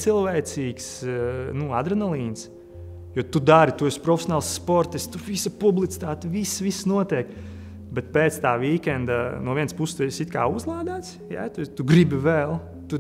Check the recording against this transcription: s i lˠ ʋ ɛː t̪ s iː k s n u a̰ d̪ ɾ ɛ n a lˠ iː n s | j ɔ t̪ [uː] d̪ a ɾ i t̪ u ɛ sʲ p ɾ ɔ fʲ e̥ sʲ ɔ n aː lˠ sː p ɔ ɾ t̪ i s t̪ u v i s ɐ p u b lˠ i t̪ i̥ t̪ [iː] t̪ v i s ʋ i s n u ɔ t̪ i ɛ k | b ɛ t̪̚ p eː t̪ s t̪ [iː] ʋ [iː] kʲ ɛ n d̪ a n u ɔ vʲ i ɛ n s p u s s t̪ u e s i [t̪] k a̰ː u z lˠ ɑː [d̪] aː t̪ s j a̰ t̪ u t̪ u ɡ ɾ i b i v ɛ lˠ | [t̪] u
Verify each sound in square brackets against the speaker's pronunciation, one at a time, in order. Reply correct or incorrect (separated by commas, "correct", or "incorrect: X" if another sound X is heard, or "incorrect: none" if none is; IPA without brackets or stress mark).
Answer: incorrect: u, incorrect: aː, incorrect: aː, correct, correct, correct, correct